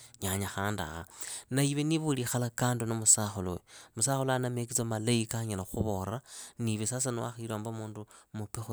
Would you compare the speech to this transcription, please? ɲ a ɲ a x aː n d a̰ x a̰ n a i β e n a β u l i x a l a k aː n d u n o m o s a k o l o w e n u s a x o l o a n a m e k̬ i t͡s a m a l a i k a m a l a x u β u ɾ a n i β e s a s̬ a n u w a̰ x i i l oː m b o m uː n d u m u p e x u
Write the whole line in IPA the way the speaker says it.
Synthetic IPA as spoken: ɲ a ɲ a x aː n d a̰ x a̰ n a i β e n i β u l i x a l a k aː n d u n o m u s a x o l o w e m u s a x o l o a n a m e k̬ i t͡s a m a l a i k a ɲ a l a x u β o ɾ a n i β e s a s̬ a n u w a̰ x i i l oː m b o m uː n d u m u p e x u